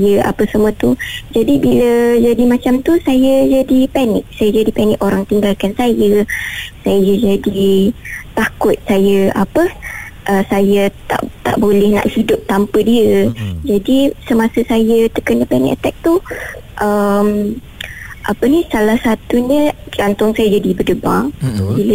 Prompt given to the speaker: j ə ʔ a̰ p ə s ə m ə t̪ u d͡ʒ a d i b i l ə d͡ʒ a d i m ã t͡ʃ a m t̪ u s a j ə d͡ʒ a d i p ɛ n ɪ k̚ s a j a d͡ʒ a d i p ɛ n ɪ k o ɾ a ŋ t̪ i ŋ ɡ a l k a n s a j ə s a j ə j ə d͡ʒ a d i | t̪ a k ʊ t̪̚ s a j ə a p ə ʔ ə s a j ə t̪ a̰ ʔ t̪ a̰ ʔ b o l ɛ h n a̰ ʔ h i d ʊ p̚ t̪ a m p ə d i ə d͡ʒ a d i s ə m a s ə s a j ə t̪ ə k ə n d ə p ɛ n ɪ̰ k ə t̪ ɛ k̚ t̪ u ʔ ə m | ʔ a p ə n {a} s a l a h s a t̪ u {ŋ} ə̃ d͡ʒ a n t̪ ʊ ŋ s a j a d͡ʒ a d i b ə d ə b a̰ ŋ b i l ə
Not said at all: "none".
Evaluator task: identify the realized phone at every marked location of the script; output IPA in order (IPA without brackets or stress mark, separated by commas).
i, ɲ